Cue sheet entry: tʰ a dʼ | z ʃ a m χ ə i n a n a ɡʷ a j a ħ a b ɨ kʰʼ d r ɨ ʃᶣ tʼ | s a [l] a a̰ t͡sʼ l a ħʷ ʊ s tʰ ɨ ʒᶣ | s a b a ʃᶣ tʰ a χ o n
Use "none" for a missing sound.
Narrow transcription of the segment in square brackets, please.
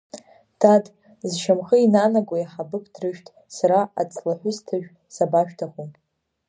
ɾ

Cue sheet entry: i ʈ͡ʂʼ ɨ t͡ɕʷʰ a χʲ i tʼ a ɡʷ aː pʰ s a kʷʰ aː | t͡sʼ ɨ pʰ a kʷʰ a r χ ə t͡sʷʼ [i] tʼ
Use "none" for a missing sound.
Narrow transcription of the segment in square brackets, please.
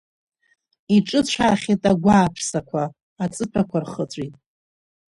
i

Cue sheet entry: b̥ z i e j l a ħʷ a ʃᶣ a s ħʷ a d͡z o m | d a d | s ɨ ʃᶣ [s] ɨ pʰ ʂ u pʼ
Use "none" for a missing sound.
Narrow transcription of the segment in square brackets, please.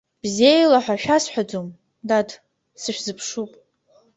z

